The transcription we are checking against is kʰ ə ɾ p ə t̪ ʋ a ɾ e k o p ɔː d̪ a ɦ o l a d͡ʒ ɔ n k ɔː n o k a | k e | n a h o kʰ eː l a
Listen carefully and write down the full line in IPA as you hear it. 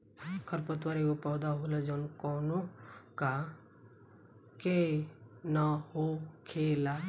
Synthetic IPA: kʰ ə ɾ p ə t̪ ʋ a ɾ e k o p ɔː d̪ a ɦ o l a d͡ʒ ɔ n k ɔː n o k a | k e | n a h o kʰ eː l a